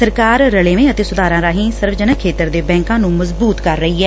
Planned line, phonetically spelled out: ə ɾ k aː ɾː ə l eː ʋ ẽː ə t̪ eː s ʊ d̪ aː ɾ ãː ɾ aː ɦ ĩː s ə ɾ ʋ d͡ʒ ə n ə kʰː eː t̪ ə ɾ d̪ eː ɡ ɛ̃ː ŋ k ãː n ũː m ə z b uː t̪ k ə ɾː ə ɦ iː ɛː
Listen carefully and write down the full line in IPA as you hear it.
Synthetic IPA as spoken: ə ɾ k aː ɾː ə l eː ʋ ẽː ə t̪ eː s ʊ d̪ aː ɾ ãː ɾ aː ɦ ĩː s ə ɾ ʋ d͡ʒ ə n ə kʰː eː t̪ ə ɾ d̪ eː b ɛ̃ː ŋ k ãː n ũː m ə z b uː t̪ k ə ɾː ə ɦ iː ɛː